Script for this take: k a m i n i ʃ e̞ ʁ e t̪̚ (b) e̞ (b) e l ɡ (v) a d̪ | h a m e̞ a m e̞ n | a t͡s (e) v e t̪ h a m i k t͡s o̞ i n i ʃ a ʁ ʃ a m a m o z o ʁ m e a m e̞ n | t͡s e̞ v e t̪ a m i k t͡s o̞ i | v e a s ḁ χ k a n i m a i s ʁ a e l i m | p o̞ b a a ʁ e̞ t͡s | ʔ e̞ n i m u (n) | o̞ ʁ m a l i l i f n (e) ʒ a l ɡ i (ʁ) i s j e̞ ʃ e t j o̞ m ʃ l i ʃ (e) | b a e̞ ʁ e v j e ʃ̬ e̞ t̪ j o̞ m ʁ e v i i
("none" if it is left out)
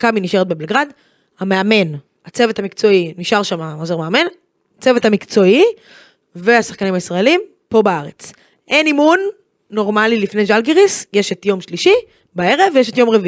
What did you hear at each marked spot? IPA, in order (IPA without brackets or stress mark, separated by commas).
b, b, ʁ, e, nː, e, ʁ, i